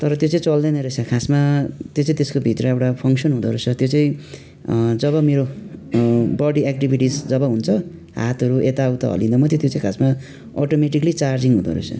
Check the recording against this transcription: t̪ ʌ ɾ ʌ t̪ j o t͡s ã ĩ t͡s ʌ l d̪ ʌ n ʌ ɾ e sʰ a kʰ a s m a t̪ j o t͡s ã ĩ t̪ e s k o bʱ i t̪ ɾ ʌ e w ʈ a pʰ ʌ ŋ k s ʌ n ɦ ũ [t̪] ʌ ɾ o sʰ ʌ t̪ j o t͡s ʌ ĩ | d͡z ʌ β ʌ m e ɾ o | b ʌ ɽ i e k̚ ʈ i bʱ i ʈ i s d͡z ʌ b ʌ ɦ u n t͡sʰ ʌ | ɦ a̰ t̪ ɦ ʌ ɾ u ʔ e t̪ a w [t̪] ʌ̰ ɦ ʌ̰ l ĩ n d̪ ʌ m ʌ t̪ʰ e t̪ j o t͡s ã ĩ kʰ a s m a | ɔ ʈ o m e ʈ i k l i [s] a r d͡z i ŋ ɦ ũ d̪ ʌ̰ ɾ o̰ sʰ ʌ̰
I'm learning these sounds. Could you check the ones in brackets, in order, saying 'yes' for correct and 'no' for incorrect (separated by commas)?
no, yes, no